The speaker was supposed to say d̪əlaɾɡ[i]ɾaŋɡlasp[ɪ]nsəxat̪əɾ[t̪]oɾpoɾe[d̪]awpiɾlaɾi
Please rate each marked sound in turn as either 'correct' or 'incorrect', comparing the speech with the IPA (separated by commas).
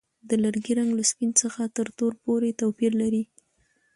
correct, incorrect, correct, incorrect